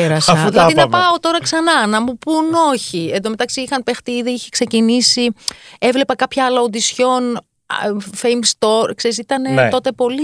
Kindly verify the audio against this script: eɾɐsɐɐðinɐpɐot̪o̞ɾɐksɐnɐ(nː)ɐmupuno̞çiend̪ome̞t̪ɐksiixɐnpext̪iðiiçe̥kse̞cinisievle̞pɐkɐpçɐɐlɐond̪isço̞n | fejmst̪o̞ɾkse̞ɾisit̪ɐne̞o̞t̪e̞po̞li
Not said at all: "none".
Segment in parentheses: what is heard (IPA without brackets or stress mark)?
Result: n